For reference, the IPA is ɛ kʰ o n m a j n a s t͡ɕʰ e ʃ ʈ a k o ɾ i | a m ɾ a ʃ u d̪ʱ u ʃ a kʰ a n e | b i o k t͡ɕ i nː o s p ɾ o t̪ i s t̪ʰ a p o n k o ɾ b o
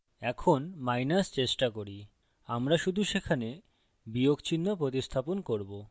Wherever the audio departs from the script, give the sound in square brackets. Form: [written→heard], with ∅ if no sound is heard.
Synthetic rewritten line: ɛ kʰ o n m a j n a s [t͡ɕʰ→t͡ɕ] e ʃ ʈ a k o ɾ i | a m ɾ a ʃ u d̪ʱ u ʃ [a→e] kʰ a n e | b i o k t͡ɕ i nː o [s→∅] p ɾ o t̪ i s t̪ʰ a p o n k o ɾ b o